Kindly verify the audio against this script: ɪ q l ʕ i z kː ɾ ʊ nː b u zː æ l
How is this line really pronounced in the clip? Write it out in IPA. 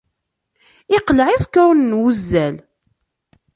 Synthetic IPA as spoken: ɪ q l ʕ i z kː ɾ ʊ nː w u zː æ l